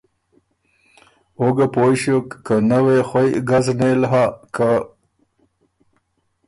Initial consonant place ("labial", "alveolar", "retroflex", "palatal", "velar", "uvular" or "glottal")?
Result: velar